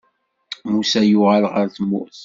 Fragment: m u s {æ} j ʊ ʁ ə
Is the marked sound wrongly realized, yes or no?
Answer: no